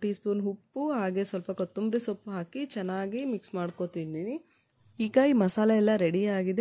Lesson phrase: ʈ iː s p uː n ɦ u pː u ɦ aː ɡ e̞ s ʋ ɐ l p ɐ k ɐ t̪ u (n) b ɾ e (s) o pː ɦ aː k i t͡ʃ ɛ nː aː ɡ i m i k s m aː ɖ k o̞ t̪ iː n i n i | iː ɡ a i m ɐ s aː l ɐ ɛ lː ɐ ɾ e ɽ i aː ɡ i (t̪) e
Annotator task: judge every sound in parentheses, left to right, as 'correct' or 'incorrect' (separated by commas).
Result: incorrect, correct, incorrect